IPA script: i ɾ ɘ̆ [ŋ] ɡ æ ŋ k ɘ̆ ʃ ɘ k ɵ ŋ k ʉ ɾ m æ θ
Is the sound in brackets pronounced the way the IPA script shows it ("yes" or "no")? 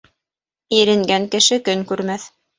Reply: yes